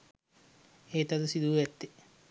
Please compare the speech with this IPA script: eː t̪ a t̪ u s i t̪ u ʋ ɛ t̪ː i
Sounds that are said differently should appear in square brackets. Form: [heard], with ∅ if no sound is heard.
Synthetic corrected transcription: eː t̪ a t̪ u s i [d̪] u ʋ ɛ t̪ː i